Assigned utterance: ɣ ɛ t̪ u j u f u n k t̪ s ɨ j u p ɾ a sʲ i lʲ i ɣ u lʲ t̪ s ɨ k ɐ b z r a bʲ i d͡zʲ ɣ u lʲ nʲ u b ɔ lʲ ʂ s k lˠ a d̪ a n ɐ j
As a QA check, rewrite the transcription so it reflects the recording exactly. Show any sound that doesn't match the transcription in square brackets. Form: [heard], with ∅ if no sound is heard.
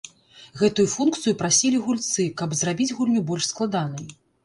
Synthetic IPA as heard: ɣ ɛ t̪ u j u f u n k t̪ s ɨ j u p ɾ a sʲ i lʲ i ɣ u lʲ t̪ s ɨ k ɐ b z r a bʲ i d͡zʲ ɣ u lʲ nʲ u b ɔ lʲ ʂ s k lˠ a d̪ a n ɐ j